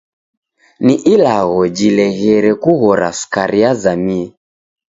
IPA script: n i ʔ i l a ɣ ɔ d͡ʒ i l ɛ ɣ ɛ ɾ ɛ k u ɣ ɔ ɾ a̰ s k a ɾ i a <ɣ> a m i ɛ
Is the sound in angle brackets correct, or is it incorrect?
incorrect